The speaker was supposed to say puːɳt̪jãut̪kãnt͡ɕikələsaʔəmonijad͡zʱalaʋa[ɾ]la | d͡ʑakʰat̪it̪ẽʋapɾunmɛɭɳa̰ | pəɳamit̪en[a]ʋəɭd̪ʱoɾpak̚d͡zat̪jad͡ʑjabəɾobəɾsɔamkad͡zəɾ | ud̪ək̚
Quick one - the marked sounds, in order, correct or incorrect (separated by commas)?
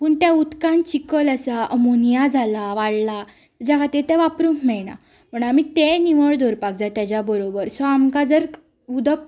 incorrect, incorrect